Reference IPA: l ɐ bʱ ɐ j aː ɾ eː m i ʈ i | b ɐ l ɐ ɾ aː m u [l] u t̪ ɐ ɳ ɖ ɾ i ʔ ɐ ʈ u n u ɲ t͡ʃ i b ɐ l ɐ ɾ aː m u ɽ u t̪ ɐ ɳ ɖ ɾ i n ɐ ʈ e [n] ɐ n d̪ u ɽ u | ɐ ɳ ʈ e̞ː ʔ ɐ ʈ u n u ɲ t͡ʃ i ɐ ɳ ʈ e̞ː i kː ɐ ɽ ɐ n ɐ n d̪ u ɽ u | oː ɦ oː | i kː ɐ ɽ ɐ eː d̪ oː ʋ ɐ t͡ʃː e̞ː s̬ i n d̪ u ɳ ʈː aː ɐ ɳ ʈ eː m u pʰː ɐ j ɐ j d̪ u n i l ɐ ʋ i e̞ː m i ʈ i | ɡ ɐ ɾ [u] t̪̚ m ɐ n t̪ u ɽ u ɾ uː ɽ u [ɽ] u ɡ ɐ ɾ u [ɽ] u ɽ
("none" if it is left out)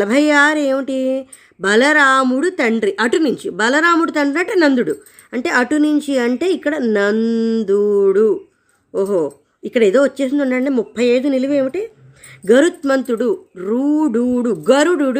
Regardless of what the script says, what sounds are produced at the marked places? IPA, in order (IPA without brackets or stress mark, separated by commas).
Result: ɽ, n, u, ɽ, ɽ